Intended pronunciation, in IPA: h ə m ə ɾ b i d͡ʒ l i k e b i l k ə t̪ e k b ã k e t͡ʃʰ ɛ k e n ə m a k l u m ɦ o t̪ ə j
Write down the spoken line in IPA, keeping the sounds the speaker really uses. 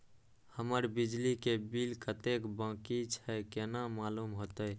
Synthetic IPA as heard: h ə m ə ɾ b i d͡ʒ l i k e b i l k ə t̪ e k b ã k i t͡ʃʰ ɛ k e n a m a l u m ɦ o t̪ ə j